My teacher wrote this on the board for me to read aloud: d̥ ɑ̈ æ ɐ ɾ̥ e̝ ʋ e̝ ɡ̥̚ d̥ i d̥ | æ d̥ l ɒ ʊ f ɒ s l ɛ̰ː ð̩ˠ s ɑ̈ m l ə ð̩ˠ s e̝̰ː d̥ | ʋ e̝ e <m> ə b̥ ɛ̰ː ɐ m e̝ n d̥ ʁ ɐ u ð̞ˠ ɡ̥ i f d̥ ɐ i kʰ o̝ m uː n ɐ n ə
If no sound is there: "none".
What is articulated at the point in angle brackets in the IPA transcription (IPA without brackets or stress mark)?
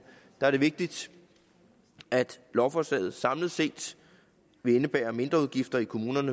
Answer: n